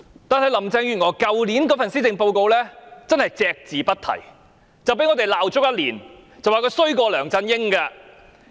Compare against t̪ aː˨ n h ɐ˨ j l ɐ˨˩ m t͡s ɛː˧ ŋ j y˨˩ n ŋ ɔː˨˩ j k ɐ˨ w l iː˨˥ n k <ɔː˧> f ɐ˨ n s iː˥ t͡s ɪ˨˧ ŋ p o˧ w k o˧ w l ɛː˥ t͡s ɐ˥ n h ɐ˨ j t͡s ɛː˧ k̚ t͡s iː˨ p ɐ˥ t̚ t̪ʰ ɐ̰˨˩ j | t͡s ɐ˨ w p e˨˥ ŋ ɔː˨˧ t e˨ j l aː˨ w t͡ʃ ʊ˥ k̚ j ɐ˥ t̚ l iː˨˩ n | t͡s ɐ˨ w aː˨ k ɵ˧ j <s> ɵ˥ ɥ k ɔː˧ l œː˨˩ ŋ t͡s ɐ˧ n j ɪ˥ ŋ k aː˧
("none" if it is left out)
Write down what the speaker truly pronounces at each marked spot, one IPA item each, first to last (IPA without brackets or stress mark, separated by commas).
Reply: ɔː˨˥, s